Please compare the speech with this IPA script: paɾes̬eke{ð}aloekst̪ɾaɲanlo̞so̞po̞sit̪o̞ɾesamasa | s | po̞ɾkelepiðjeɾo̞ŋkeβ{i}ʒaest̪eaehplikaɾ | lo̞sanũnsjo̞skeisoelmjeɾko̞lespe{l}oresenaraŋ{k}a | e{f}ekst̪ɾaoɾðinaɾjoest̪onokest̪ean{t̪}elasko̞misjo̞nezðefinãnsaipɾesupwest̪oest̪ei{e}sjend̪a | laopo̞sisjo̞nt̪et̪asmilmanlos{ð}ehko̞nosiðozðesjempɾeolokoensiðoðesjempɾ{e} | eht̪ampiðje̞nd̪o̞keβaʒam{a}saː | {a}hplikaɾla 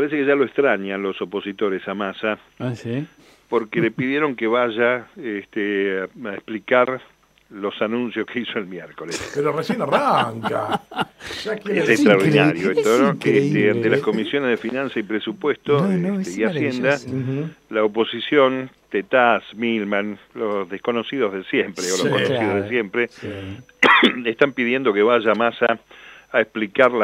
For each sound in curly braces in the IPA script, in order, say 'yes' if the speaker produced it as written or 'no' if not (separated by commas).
no, no, no, yes, no, yes, no, yes, yes, yes, no